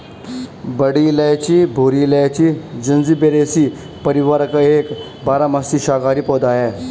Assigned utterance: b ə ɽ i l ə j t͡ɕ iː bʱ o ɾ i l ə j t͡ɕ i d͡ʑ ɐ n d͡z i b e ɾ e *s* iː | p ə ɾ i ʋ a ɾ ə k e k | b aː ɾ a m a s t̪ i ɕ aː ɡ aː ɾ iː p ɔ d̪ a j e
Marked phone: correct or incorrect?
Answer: correct